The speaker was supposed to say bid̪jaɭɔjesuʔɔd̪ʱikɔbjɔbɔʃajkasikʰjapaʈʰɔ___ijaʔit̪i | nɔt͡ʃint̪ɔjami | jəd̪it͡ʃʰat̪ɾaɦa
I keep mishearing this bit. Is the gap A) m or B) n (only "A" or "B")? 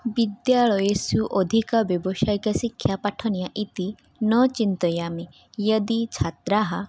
B